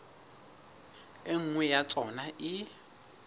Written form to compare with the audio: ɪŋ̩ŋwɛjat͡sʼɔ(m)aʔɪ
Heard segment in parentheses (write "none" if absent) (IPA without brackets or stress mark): n